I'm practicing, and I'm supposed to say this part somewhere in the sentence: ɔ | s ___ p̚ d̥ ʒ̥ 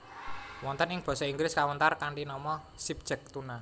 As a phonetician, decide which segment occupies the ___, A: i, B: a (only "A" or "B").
A